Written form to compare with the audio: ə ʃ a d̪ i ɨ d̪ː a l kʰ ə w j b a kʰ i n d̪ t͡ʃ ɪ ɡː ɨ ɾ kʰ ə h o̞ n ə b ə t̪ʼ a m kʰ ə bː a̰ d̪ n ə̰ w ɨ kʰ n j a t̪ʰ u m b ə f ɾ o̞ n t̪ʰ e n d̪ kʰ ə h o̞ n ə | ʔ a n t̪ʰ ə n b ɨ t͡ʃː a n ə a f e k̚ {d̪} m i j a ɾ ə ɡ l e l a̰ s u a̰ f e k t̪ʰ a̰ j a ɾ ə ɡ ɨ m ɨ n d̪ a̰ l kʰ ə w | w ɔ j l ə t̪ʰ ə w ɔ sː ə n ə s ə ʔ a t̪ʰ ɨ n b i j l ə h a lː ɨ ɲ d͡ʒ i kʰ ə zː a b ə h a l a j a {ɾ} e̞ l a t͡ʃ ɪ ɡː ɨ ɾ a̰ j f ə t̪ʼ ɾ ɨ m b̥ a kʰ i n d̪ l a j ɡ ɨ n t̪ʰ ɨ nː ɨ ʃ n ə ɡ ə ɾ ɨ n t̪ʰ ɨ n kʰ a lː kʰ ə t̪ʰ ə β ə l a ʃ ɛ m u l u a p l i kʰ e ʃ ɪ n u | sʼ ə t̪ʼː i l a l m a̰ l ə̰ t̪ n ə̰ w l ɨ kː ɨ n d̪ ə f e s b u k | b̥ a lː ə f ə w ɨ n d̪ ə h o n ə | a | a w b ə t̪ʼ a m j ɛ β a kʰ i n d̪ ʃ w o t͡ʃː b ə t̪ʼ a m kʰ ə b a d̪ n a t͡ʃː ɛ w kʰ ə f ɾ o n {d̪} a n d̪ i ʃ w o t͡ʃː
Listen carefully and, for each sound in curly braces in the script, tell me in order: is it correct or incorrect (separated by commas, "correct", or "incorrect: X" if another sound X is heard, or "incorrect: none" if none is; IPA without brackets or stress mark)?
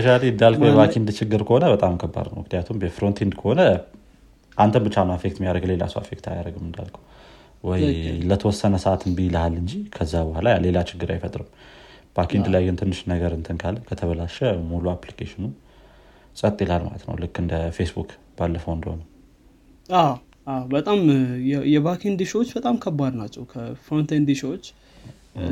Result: incorrect: t̪, incorrect: l, incorrect: t̪